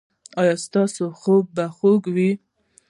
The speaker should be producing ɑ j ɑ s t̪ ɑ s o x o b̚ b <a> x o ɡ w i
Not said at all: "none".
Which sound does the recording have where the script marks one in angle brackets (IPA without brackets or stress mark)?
a